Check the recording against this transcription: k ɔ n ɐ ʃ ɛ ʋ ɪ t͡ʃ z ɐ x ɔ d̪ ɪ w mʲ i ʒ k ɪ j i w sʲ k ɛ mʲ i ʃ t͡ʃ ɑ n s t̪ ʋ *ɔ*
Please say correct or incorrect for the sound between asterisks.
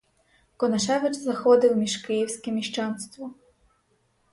correct